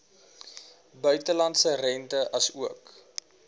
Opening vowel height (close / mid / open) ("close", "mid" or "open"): mid